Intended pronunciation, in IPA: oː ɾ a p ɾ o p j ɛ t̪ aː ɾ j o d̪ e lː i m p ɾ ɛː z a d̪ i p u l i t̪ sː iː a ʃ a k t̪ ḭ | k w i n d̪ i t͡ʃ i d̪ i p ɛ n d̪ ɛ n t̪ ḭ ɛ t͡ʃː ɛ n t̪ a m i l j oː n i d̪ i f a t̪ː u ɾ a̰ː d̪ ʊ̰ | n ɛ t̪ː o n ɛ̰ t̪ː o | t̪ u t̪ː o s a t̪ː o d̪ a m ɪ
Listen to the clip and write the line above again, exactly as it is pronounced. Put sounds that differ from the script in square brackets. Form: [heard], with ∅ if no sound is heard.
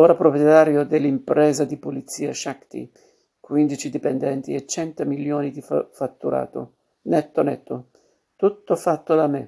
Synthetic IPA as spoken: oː ɾ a p ɾ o p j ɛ t̪ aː ɾ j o d̪ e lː i m p ɾ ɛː z a d̪ i p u l i t̪ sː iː a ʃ a k t̪ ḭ | k w i n d̪ i t͡ʃ i d̪ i p ɛ n d̪ ɛ n t̪ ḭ ɛ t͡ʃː ɛ n t̪ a m i l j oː n i d̪ i f a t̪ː u ɾ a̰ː [t̪] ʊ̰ | n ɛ t̪ː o n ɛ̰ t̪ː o | t̪ u t̪ː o [f] a t̪ː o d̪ a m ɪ